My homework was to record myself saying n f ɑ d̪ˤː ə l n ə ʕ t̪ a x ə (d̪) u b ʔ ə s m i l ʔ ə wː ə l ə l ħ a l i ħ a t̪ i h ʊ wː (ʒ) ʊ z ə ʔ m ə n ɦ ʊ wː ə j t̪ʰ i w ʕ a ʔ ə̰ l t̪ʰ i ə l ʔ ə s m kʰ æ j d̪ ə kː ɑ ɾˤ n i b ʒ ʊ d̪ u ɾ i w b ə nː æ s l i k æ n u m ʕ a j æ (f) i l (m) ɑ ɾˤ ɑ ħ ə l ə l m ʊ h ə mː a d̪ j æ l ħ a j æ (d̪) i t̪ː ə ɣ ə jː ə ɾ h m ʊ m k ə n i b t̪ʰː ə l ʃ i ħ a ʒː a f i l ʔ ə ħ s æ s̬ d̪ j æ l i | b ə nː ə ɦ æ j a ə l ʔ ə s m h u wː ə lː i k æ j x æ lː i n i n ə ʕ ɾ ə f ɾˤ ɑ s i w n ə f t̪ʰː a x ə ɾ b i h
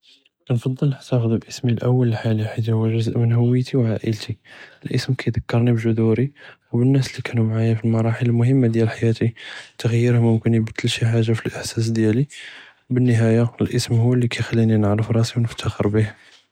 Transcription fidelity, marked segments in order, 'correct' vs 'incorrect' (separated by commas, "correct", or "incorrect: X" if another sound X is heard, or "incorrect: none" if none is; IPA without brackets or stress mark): correct, correct, correct, correct, incorrect: t̪